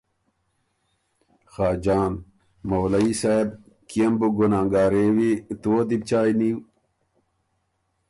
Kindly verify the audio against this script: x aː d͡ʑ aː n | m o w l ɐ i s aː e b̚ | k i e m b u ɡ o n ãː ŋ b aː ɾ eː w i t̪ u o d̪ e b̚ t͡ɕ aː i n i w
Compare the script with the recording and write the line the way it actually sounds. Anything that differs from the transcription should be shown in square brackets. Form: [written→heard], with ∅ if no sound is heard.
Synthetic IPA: x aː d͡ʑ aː n | m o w l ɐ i s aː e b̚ | k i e m b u ɡ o n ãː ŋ [b→ɡ] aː ɾ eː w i t̪ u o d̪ [e→i] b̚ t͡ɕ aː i n i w